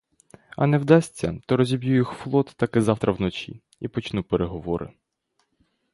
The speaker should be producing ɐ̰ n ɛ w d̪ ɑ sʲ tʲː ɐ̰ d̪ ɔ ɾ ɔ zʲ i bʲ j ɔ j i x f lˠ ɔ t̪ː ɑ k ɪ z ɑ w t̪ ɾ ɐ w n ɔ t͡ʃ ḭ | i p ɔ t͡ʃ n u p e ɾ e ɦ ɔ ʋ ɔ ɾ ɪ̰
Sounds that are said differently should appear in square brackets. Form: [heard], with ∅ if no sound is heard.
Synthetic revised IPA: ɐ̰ n ɛ w d̪ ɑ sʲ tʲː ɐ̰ [t̪] ɔ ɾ ɔ zʲ i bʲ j [u] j i x f lˠ ɔ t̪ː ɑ k ɪ z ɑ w t̪ ɾ ɐ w n ɔ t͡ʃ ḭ | i p ɔ t͡ʃ n u p e ɾ e ɦ ɔ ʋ ɔ ɾ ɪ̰